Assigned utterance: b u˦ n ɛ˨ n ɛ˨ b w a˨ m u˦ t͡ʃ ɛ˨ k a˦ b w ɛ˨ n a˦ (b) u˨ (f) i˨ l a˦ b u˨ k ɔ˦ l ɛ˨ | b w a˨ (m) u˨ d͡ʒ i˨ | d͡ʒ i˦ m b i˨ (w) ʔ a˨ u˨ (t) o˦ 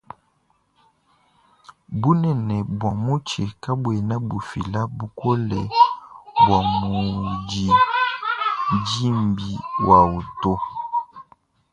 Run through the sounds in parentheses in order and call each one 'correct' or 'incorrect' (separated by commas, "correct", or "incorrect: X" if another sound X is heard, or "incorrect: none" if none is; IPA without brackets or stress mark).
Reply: correct, correct, correct, correct, correct